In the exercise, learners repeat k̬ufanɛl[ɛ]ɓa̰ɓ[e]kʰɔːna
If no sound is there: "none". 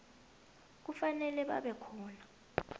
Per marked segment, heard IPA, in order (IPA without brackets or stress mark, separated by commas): ɛ, ɛ